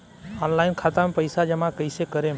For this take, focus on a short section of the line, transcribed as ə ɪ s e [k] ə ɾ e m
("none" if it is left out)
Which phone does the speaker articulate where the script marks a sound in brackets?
k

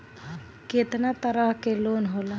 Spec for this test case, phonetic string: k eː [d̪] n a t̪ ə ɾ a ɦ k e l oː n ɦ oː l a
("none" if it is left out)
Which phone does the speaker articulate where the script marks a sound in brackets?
t̪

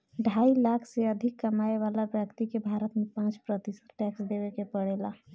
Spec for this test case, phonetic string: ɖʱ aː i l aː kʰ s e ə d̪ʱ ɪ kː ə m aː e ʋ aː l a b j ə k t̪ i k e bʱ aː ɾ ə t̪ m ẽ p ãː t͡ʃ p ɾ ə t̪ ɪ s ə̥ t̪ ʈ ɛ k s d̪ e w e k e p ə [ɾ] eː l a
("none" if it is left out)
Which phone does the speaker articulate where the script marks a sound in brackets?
ɽ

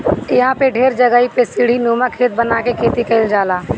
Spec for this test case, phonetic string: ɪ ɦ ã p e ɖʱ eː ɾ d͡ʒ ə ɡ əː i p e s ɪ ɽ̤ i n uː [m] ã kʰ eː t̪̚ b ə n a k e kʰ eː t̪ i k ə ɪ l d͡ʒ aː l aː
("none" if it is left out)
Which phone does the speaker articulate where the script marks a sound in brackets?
m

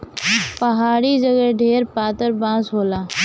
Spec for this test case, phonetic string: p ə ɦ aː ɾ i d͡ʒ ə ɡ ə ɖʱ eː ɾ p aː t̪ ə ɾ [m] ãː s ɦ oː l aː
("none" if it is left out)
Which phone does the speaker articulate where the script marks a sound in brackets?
b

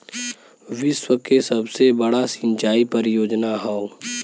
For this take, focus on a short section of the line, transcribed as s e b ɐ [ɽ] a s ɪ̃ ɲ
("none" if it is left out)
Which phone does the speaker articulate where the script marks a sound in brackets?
ɽ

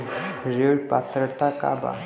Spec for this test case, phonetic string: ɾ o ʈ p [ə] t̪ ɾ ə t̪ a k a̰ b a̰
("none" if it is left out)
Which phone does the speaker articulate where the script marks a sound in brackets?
a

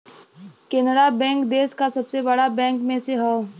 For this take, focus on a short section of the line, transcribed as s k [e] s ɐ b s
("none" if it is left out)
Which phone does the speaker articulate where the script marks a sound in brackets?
a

